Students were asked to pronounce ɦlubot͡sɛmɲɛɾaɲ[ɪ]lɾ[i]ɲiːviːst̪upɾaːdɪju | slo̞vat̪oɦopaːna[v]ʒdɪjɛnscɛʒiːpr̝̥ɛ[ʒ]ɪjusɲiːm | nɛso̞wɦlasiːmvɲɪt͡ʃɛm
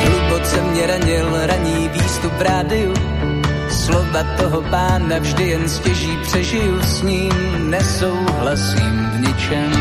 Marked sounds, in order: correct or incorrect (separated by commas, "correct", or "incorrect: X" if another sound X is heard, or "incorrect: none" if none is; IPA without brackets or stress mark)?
correct, incorrect: a, correct, correct